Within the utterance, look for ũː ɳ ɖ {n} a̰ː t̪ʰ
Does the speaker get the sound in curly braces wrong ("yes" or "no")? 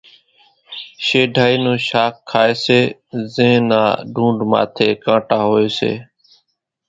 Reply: yes